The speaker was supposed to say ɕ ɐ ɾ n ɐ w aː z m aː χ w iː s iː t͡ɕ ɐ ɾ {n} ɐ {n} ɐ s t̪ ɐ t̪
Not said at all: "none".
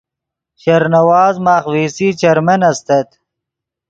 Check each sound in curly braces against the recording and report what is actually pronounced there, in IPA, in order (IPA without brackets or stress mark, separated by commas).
m, n